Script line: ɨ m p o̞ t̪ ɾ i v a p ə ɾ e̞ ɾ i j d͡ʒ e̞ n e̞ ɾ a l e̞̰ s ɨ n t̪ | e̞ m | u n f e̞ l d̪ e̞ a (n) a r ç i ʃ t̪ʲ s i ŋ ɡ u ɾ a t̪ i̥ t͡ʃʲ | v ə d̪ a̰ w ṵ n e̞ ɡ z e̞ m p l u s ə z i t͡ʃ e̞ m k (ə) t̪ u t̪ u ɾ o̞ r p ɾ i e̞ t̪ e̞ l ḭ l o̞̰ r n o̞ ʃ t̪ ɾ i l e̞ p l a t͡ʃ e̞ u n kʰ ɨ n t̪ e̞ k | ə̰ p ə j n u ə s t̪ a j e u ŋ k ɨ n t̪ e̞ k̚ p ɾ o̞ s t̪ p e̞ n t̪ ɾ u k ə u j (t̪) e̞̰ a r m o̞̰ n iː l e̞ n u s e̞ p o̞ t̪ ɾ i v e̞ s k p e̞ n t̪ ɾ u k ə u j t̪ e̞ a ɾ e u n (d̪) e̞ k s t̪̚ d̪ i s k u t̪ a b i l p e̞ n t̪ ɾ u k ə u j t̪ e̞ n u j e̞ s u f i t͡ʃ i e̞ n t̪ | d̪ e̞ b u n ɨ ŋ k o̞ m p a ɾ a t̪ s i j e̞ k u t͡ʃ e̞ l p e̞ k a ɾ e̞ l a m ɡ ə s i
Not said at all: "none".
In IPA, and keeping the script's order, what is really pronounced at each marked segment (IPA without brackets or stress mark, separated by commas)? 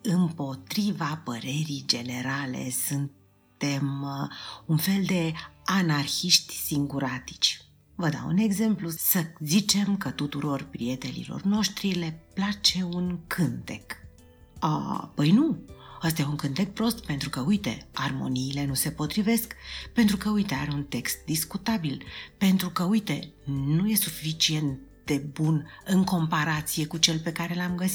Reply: n, ə, t̪, t̪